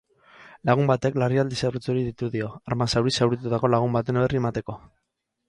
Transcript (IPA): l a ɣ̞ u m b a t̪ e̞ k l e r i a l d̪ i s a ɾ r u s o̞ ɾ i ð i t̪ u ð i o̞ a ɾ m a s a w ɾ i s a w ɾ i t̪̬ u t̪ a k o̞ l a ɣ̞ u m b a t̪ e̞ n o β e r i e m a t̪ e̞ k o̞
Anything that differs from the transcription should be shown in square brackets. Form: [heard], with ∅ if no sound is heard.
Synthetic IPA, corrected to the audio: l a ɣ̞ u m b a t̪ e̞ k l [a] r i a l d̪ i s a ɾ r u [t͡s] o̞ ɾ i ð i t̪ u ð i o̞ a ɾ m a s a w ɾ i s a w ɾ i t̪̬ u t̪ a k o̞ l a ɣ̞ u m b a t̪ e̞ n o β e r i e m a t̪ e̞ k o̞